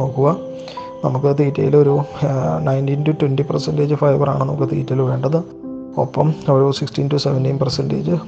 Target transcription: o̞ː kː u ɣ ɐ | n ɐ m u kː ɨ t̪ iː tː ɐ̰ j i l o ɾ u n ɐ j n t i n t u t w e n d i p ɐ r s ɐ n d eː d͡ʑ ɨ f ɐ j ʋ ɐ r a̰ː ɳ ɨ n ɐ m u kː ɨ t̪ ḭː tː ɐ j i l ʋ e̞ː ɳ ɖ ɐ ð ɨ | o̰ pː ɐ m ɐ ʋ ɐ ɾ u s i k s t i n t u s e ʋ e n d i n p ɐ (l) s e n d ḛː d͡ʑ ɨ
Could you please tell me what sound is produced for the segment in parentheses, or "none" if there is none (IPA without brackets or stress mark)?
r